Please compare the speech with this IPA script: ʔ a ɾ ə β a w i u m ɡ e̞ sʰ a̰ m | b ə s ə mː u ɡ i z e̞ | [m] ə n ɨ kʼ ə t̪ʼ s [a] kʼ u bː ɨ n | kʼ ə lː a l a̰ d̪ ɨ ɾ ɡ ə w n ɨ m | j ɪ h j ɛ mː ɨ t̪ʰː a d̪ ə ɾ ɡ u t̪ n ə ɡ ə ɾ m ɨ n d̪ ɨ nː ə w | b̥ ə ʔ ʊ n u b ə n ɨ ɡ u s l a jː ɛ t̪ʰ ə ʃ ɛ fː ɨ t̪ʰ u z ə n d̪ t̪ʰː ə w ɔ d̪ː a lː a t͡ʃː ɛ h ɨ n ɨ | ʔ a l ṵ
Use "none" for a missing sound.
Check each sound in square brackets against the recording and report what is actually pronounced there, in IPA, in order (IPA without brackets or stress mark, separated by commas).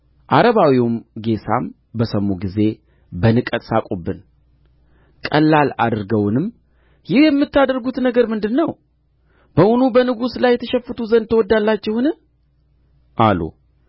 b, a